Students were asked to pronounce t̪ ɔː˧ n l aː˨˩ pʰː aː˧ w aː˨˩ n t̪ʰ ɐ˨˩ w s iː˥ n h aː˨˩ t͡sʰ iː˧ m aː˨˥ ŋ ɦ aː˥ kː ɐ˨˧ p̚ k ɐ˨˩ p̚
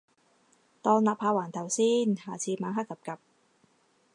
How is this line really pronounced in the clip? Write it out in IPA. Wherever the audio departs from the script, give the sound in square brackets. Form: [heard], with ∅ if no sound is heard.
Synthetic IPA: t̪ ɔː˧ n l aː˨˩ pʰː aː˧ w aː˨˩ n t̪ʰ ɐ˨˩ w s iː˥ n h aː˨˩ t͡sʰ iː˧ m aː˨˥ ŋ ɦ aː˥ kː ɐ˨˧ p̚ k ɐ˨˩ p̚